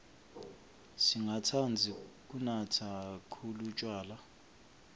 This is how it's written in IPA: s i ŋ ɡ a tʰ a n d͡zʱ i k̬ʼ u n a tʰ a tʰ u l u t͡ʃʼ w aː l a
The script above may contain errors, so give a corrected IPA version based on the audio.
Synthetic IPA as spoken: s i ŋ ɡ a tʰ a n d͡zʱ i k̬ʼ u n a tʰ a kʰ u l u t͡ʃʼ w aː l a

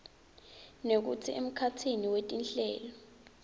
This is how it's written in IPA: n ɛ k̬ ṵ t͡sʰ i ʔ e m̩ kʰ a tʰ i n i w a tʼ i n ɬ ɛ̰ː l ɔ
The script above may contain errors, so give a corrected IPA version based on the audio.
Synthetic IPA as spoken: n e k̬ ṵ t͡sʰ i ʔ e m̩ kʰ a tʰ i n i w e tʼ i n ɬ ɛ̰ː l ɔ

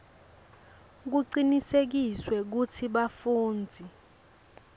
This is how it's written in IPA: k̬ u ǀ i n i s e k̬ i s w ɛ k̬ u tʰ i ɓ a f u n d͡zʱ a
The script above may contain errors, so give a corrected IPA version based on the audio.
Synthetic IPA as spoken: k̬ u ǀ i n i s e k̬ i s w ɛ k̬ u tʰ i ɓ a f uː n d͡zʱ i

